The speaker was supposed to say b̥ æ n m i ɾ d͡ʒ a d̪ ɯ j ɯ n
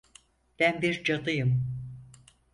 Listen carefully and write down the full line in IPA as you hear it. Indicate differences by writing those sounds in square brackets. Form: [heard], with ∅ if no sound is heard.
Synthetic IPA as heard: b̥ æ n [b] i ɾ d͡ʒ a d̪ ɯ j ɯ [m]